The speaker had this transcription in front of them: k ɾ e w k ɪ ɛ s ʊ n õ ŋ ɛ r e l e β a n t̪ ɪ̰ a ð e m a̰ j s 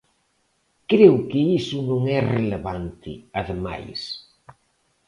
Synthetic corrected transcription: k ɾ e w k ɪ i s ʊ n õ ŋ ɛ r e l e β a n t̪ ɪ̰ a ð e m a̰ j s